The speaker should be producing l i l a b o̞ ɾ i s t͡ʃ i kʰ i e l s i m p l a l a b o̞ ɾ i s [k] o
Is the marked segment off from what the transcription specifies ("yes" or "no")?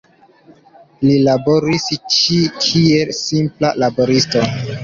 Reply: yes